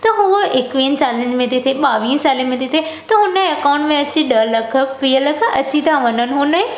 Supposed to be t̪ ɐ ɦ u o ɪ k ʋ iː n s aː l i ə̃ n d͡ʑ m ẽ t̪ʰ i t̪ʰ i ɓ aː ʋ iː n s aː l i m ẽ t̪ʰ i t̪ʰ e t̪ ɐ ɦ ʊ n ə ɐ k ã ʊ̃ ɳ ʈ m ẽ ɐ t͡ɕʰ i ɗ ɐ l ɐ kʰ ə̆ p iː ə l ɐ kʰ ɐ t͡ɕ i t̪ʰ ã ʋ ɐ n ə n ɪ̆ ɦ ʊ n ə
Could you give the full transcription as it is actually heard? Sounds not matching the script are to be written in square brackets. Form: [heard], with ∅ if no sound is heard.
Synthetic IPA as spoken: t̪ ɐ ɦ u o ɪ k ʋ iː n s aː l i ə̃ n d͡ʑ m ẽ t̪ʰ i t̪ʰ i ɓ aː ʋ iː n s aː l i m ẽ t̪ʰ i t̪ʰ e t̪ ɐ ɦ ʊ n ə ɐ k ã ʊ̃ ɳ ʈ m ẽ ɐ [t͡ɕ] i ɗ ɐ l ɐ kʰ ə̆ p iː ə l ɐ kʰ ɐ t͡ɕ i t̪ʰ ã ʋ ɐ n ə n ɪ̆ ɦ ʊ n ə